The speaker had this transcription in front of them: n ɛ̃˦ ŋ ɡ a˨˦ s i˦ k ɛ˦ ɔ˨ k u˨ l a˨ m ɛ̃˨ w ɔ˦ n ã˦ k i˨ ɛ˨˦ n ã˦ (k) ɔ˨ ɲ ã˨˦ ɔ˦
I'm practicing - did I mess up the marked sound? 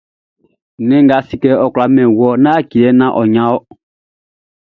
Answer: yes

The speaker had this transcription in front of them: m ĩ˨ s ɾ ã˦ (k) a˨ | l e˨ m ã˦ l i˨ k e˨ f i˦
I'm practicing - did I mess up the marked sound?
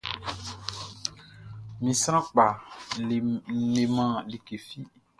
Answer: yes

